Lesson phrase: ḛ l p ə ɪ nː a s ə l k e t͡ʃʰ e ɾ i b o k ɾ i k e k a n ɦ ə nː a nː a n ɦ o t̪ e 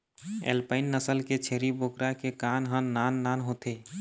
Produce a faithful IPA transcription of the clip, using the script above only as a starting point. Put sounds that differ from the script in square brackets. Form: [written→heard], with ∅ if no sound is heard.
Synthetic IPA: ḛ l p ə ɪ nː [a→ə] s ə l k e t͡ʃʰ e ɾ i b o k ɾ [i→a] k e k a n ɦ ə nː a nː a n ɦ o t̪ e